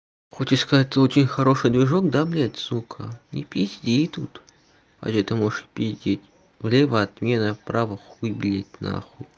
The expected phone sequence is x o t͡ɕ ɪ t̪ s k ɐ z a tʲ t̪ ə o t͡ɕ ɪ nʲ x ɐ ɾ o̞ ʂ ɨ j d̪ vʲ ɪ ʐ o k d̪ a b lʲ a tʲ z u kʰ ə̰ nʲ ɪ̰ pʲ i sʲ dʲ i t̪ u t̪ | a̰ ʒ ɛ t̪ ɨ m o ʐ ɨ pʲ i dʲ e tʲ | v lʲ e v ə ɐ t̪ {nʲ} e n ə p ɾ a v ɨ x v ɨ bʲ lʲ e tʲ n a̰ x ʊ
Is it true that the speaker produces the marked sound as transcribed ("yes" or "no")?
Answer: no